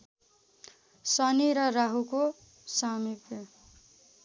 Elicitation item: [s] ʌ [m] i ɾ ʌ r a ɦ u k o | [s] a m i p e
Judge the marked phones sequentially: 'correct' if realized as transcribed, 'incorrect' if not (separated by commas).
correct, incorrect, correct